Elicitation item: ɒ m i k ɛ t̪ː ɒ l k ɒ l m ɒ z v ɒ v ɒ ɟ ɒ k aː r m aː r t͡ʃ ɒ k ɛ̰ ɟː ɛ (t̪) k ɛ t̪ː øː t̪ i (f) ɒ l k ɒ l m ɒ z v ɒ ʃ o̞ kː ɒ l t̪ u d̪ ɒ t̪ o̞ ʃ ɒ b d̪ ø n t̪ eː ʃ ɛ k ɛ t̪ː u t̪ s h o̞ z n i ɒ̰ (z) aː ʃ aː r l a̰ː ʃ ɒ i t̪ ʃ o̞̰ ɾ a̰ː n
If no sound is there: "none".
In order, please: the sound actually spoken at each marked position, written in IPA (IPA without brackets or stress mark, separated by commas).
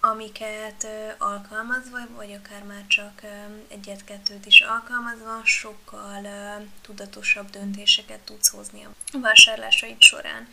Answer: t̪, ʃ, v